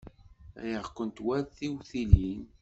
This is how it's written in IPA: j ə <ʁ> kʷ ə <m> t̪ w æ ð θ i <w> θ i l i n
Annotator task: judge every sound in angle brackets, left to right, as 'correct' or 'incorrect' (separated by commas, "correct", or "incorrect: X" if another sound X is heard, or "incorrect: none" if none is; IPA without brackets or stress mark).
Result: correct, incorrect: n, correct